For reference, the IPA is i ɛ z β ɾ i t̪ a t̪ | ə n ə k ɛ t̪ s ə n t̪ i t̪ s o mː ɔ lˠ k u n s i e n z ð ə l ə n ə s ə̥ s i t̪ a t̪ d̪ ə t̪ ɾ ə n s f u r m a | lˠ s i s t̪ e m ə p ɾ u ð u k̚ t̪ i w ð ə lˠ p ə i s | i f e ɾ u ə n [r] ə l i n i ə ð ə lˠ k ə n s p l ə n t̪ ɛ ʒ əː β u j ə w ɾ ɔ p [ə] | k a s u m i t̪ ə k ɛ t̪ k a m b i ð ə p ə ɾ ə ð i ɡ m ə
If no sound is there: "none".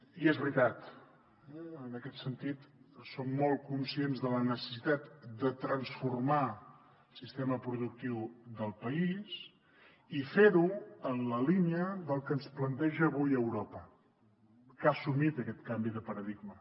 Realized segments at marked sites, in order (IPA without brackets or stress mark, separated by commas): l, ə